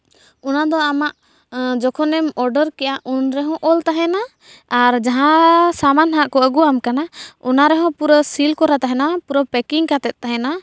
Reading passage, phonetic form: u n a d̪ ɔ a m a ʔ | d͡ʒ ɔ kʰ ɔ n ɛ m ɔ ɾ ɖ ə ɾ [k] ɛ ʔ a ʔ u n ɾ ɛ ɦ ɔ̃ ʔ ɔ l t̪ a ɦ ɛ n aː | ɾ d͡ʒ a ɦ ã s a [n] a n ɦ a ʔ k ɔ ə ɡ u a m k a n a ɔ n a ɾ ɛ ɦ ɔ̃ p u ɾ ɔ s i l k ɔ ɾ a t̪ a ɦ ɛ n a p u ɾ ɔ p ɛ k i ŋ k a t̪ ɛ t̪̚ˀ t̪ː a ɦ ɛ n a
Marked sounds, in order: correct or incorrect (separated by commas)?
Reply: correct, incorrect